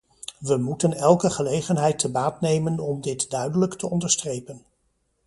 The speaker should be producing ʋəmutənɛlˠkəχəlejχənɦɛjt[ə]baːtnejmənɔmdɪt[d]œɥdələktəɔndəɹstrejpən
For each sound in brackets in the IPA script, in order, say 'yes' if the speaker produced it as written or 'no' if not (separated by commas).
yes, yes